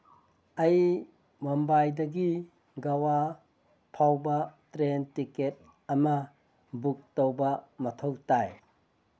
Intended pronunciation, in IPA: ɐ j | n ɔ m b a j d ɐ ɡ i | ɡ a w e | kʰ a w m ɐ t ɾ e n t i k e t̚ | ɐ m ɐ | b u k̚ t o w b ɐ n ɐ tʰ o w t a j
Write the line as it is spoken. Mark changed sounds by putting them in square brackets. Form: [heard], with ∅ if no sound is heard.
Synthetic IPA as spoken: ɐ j | [m] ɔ m b a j d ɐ ɡ i | ɡ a w [a] | [pʰ] a w [b] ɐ t ɾ e n t i k e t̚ | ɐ m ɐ | b u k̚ t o w b ɐ [m] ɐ tʰ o w t a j

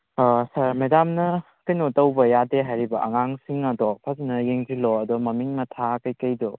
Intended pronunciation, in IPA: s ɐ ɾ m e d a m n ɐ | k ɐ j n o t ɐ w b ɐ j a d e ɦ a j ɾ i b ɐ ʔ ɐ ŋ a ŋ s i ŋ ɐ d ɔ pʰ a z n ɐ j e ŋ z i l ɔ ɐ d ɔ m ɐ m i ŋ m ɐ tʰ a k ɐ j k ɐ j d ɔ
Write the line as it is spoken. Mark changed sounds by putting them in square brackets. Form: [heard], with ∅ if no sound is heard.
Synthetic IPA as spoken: s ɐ ɾ m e d a m n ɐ | k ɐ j n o t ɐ w b ɐ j a d e ɦ a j ɾ i b ɐ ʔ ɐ ŋ a ŋ s i ŋ ɐ d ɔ pʰ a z n ɐ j e ŋ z i l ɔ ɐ d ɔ m ɐ m i ŋ m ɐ tʰ a k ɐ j k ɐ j d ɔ

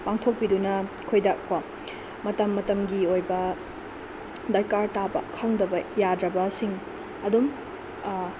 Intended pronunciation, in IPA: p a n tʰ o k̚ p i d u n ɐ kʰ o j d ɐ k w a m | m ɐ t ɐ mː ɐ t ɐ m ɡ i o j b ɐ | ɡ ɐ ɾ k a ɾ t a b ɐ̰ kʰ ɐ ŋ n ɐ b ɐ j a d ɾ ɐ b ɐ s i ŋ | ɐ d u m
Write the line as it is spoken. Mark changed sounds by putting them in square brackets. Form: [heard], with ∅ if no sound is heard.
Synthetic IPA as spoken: p a [ŋ] tʰ o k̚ p i d u n ɐ kʰ o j d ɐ k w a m | m ɐ t ɐ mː ɐ t ɐ m ɡ i o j b ɐ | [d] ɐ ɾ k a ɾ t a b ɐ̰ kʰ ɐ ŋ [d] ɐ b ɐ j a d ɾ ɐ b ɐ s i ŋ | ɐ d u m

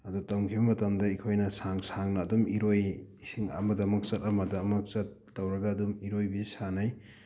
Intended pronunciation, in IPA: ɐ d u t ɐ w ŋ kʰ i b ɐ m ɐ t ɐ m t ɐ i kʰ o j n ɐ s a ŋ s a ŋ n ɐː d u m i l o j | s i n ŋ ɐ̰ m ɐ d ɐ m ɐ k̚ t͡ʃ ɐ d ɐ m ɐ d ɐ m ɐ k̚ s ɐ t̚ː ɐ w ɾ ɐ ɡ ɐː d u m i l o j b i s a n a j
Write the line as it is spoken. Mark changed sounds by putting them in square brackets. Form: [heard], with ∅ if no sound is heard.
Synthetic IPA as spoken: ɐ d u t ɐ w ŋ kʰ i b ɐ m ɐ t ɐ m [d] ɐ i kʰ o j n ɐ s a ŋ s a ŋ n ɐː d u m i [ɾ] o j | s i [∅] ŋ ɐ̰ m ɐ d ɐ m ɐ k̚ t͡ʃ ɐ [t] ɐ m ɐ d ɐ m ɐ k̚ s ɐ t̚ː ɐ w ɾ ɐ ɡ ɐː d u m i [ɾ] o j b i s a n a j

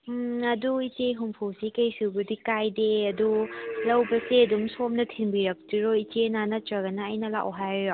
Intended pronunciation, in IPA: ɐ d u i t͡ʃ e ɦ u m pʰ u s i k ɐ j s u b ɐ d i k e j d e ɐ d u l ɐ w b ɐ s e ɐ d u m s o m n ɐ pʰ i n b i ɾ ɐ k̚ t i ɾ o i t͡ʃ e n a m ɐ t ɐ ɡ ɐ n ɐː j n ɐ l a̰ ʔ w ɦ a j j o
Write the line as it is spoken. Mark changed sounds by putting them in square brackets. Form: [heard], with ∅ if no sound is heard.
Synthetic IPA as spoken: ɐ d u i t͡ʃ e ɦ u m pʰ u s i k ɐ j s u b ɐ d i k [a] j d e ɐ d u l ɐ w b ɐ s e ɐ d u m s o m n ɐ [tʰ] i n b i ɾ ɐ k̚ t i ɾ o i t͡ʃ e n a [n] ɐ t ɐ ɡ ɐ n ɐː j n ɐ l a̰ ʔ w ɦ a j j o

